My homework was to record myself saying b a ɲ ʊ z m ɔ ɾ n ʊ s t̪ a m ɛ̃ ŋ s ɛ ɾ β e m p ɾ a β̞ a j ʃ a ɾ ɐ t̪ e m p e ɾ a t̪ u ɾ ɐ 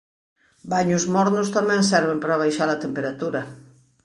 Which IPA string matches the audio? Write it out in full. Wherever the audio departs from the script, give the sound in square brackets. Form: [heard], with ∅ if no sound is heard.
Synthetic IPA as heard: b a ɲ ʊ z m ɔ ɾ n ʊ s t̪ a m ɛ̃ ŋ s ɛ ɾ β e m p ɾ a β̞ a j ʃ a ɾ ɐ t̪ e m p e ɾ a t̪ u ɾ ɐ